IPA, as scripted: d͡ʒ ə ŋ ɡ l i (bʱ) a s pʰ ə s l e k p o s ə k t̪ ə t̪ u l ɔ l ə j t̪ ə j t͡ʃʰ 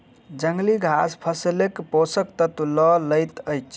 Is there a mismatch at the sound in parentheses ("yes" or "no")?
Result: yes